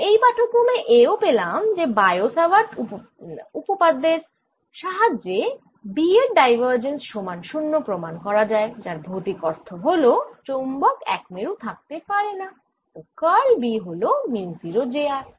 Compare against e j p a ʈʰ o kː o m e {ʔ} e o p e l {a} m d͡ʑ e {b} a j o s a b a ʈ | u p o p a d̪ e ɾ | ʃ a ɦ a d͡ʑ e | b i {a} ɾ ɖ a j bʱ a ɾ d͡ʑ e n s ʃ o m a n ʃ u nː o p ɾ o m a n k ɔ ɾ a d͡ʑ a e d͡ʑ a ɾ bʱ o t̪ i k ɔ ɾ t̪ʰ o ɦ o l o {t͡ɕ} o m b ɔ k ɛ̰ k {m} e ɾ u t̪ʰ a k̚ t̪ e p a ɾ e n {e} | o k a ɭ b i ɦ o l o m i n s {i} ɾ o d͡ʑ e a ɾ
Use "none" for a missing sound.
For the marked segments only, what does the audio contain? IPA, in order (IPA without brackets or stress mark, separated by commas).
ʔ, a, b, e, t͡ɕ, m, a, i